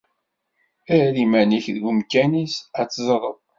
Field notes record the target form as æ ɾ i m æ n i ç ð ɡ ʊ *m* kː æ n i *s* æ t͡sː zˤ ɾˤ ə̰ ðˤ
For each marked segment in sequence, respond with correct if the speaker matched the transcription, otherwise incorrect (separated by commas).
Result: correct, correct